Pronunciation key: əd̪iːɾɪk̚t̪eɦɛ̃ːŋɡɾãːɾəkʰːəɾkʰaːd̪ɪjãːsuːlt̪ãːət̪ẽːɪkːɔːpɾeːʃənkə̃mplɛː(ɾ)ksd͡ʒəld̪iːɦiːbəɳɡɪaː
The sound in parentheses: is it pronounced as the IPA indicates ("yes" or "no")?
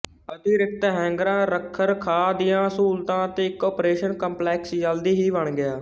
no